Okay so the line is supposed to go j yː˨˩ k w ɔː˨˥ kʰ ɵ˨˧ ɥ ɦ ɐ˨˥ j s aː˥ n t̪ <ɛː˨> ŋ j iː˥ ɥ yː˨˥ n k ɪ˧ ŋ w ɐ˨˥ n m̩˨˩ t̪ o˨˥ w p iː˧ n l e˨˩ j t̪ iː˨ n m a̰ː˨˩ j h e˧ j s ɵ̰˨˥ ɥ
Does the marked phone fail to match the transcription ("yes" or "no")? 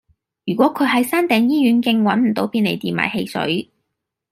no